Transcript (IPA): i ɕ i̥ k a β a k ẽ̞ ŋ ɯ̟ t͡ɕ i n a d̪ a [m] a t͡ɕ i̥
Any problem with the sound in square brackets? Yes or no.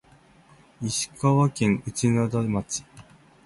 no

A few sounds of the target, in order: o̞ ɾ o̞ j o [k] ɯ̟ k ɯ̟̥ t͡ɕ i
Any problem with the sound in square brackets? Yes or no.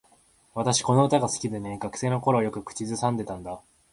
no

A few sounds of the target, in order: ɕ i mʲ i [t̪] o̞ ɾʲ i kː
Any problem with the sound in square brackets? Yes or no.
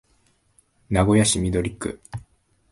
yes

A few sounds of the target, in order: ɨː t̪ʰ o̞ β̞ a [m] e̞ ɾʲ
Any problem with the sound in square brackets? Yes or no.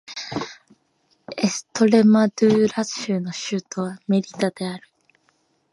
no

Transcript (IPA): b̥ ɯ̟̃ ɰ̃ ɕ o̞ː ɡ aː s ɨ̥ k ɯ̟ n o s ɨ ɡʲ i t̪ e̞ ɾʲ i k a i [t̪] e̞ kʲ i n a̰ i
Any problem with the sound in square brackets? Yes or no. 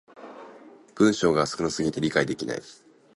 yes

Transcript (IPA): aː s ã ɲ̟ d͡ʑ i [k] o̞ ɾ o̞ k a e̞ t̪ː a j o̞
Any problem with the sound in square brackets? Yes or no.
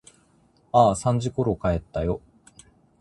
no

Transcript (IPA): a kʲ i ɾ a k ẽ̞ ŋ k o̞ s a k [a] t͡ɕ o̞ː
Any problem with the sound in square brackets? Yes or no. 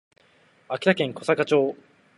no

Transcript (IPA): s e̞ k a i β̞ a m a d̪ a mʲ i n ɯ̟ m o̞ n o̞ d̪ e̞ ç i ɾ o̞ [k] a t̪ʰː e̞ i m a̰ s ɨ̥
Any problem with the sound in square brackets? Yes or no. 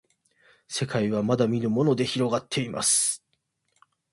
yes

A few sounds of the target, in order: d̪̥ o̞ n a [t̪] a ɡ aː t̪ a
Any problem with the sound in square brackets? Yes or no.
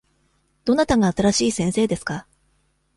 no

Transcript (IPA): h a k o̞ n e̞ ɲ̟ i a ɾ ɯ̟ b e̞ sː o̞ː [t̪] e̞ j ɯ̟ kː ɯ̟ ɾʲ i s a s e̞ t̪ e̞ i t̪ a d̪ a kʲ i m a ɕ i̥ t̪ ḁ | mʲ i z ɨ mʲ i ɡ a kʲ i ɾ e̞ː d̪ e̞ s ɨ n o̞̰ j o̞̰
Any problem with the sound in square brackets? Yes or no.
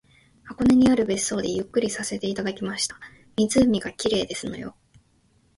yes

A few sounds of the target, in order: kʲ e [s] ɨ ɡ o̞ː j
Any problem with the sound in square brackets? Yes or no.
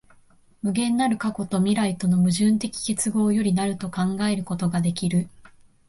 yes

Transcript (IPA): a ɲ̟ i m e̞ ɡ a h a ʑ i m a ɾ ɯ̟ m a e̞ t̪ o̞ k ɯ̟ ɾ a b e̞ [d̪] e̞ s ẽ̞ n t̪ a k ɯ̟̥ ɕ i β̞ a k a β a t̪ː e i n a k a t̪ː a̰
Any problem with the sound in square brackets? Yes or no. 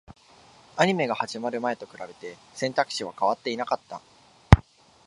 yes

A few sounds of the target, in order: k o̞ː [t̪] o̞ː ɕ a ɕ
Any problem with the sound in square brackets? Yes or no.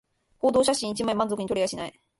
yes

